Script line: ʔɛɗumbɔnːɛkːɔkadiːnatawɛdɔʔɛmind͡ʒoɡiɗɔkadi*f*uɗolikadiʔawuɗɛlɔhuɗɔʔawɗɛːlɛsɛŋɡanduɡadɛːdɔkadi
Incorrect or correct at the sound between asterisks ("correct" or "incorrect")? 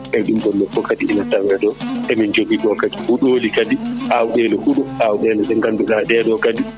incorrect